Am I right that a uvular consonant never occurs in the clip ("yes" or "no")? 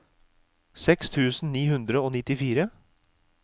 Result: yes